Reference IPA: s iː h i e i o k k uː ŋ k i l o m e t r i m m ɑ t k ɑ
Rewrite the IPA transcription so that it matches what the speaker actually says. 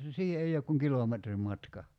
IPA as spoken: s iː h e e i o k k u ŋ k i l o m e t r i m m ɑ t k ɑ